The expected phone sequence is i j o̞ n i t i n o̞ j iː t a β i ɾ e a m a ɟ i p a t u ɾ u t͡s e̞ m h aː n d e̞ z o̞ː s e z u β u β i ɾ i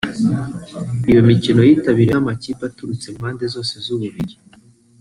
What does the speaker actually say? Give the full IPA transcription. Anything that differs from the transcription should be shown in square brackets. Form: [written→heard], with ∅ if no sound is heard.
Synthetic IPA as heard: i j o̞ [n→m] i [t→c] i n o̞ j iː t a β i ɾ e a m a [ɟ→c] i p a t u ɾ u t͡s e̞ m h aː n d e̞ z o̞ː s e z u β u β i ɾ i

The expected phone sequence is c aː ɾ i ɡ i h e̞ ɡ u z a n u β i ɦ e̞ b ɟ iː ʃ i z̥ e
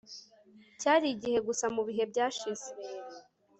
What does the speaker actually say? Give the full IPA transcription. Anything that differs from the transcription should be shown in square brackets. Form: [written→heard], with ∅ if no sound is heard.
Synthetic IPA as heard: c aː ɾ i [ɡ→ɟ] i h e̞ ɡ u [z→s] a [n→m] u β i ɦ e̞ b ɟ [iː→aː] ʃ i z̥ e

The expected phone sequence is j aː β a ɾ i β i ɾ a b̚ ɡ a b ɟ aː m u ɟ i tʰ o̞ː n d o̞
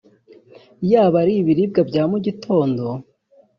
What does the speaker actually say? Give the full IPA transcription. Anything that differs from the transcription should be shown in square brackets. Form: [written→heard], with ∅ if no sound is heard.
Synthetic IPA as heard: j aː β a ɾ i β i ɾ [a→i] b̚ ɡ a b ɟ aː m u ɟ i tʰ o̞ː n d o̞

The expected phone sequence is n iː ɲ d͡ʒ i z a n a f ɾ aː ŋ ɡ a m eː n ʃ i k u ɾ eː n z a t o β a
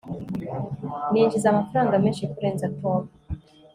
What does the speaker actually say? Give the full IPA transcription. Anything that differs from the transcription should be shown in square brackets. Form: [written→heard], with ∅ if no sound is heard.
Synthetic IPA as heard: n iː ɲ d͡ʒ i z a [n→m] a f ɾ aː ŋ ɡ a m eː n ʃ i k u ɾ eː n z a t o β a

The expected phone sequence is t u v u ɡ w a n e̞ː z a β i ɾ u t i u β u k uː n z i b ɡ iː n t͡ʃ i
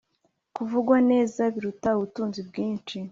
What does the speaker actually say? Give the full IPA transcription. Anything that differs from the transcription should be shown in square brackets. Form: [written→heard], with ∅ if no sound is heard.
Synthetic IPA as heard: [t→k] u v u ɡ w a n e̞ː z a β i ɾ u t [i→a] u β u [k→t] uː n z i b ɡ iː n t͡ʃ i

